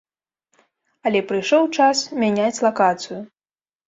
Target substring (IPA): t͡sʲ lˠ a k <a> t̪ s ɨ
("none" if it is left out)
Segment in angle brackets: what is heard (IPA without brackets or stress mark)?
a